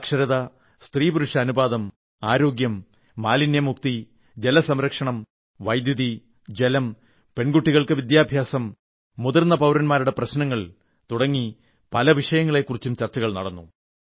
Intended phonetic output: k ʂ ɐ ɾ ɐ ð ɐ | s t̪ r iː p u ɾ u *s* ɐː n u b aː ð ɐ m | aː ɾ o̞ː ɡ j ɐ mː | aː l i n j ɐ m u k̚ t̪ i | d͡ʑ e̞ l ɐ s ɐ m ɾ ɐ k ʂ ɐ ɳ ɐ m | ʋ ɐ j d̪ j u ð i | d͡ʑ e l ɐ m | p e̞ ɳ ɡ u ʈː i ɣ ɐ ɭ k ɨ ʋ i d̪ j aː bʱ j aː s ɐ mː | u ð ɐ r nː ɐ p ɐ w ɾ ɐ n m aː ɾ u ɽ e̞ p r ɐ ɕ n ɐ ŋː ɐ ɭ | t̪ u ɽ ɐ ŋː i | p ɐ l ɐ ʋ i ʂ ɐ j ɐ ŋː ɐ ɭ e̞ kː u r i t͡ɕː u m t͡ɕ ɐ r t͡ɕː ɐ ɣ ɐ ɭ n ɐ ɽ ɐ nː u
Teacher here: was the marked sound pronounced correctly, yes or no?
no